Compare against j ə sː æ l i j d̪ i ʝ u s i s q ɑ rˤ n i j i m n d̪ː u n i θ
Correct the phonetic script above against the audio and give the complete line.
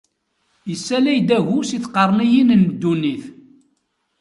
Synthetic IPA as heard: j ə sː æ l æ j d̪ æ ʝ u s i θ q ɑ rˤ n i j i n n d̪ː u n i θ

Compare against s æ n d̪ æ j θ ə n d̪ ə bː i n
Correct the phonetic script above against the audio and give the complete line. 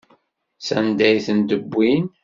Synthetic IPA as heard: s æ n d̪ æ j θ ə n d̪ ə bː i n

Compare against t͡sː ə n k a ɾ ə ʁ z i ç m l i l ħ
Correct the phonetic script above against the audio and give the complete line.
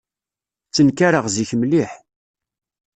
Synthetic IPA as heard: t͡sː ə n k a ɾ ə ʁ z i ç m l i ħ

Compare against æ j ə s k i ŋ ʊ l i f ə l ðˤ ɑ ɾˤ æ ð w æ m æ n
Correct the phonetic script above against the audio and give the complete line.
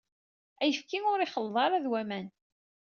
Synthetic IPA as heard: æ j ə f k i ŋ ʊ ɾ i χ ə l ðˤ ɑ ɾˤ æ ð w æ m æ n

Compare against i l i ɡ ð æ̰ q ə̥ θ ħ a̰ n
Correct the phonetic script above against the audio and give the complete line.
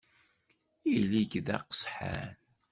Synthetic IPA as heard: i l i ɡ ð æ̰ q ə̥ s ħ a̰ n

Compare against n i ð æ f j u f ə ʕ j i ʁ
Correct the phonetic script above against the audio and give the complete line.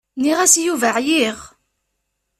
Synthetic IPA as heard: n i ʁ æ s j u v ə ʕ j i ʁ

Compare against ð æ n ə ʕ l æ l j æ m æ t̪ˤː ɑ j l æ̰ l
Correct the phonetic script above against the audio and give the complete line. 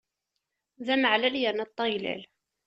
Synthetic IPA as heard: ð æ m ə ʕ l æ l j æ n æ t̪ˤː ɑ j l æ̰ l

